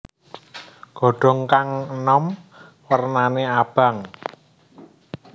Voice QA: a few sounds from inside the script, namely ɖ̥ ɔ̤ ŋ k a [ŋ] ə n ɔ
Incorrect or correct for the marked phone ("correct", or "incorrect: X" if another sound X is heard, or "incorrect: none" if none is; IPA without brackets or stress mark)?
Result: correct